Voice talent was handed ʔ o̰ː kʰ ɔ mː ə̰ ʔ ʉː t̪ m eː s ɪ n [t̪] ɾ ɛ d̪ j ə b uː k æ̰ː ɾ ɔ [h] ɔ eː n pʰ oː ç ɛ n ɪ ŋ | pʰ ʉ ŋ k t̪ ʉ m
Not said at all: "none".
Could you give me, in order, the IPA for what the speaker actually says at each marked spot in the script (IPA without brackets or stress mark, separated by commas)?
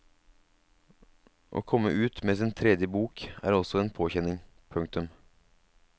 t̪ʰ, s